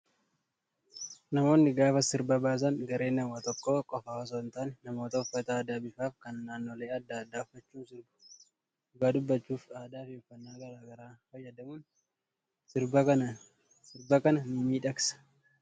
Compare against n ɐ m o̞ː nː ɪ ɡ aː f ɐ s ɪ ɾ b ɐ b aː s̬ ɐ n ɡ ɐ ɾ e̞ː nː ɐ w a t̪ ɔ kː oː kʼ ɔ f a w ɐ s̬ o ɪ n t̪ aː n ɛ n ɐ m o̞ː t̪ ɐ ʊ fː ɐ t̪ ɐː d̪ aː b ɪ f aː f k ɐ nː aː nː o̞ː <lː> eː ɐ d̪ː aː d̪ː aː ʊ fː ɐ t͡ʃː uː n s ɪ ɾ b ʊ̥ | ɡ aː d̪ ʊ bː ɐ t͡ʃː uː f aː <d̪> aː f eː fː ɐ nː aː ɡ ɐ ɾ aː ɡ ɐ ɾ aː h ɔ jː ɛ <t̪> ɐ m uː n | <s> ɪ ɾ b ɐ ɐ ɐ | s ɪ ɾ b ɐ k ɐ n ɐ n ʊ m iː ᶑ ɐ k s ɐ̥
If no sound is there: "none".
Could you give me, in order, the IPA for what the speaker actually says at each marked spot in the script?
l, d̪, d̪, s

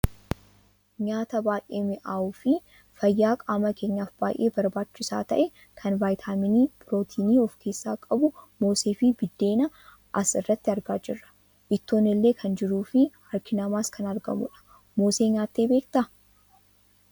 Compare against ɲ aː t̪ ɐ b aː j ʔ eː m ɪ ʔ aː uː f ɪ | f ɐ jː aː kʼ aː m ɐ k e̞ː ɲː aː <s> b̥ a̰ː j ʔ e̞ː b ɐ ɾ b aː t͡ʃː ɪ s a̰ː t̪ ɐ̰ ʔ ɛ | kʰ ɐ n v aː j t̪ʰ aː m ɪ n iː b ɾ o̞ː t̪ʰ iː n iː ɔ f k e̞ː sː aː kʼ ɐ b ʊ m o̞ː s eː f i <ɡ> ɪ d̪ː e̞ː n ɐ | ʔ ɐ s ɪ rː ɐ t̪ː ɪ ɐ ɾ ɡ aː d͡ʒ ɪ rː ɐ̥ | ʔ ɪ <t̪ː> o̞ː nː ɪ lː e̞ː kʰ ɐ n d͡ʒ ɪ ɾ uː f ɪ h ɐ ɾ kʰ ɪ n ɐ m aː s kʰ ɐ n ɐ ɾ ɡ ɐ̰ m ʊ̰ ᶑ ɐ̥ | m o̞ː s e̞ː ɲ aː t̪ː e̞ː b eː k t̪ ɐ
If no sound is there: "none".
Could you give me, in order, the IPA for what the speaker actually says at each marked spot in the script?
f, b, t̪ː

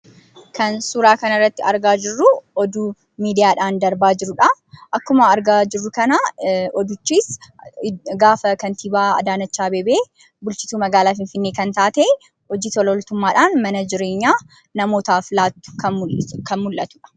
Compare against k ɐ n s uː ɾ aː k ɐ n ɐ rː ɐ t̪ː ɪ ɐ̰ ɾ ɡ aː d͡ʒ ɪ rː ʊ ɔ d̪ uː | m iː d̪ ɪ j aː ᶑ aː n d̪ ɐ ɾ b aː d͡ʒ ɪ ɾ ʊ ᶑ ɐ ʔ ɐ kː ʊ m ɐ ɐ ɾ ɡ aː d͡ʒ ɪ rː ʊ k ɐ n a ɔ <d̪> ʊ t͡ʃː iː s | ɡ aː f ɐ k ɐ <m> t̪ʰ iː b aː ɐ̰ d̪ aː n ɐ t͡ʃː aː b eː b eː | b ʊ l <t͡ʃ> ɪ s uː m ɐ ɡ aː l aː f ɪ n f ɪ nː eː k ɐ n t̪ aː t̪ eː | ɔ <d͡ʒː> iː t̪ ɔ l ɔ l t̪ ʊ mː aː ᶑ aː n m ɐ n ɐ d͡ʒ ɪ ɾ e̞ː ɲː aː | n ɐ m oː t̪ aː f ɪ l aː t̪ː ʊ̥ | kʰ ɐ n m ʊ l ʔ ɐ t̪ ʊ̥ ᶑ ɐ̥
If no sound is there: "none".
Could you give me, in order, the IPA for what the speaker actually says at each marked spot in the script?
d̪, n, t͡ʃ, d͡ʒ

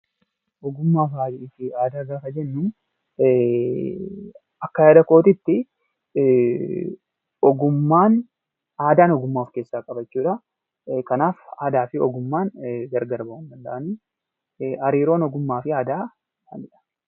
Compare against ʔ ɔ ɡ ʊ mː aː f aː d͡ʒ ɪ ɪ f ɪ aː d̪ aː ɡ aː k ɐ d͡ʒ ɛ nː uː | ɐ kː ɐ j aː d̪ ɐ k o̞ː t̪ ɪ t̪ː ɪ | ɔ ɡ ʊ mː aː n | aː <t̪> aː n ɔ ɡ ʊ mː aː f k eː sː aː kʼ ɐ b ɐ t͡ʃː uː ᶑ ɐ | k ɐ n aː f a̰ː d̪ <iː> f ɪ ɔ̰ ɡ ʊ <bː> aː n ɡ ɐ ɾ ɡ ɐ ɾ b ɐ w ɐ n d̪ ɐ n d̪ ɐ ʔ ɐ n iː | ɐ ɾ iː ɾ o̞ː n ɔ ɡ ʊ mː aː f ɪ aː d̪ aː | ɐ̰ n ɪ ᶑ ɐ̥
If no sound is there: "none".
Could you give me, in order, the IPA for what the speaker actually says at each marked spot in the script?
d̪, aː, mː

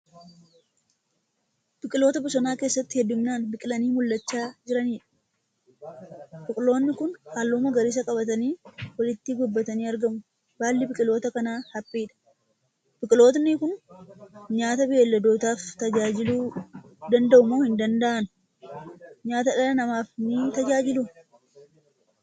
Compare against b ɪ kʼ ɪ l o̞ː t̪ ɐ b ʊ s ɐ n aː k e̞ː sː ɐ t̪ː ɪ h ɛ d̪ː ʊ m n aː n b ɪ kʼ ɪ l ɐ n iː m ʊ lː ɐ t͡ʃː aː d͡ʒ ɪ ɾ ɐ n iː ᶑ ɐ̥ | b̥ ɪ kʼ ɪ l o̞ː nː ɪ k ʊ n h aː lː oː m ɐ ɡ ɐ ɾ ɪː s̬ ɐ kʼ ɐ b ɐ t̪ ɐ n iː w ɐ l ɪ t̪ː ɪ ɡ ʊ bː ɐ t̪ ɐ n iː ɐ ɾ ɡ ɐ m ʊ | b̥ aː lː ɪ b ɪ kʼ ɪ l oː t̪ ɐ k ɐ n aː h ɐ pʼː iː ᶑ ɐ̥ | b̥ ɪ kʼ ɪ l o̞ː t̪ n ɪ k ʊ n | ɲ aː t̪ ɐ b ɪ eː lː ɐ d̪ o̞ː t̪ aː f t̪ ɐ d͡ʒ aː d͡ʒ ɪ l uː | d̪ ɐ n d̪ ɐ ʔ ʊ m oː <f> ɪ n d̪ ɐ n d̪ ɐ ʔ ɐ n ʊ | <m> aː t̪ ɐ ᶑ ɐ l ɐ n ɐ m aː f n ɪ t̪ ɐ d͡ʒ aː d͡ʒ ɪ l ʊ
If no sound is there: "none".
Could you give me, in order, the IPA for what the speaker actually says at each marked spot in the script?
h, ɲ

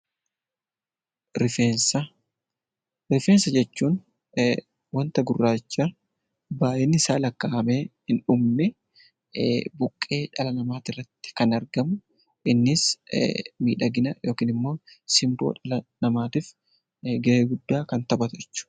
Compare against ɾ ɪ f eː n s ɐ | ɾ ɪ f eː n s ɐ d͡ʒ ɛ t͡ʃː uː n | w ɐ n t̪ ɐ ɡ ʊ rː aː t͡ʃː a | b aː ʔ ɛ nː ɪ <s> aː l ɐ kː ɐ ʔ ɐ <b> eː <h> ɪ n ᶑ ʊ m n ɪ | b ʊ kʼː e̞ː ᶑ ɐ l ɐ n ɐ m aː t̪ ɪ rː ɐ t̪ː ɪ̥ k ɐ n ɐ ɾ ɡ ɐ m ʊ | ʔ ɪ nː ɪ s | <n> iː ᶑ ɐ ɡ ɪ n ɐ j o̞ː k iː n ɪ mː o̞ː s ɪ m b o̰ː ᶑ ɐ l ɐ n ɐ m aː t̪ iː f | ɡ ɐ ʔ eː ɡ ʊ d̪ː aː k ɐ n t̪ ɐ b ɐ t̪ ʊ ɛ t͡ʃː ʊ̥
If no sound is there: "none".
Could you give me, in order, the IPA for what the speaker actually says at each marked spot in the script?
s, m, h, m

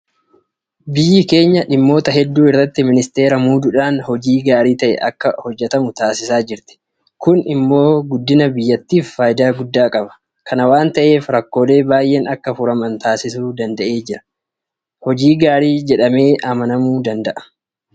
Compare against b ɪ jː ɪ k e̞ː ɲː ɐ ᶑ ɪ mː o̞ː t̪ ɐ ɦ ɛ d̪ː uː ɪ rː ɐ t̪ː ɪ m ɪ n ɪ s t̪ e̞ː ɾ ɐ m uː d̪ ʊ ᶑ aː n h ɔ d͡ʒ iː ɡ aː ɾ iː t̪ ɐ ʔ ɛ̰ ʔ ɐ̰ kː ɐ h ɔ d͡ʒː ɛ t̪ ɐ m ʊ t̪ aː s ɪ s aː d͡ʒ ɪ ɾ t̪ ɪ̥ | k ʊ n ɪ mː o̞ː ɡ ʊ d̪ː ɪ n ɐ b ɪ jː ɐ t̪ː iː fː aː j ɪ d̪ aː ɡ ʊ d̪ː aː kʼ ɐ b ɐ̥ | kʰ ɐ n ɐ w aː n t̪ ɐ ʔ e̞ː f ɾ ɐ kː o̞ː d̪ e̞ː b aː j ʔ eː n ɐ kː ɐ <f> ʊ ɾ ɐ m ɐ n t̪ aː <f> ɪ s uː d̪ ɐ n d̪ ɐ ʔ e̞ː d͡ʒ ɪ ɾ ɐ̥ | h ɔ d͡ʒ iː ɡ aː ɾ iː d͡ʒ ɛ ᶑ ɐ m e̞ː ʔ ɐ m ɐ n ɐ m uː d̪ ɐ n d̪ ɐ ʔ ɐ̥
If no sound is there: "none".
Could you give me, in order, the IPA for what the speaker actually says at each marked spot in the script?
f, s

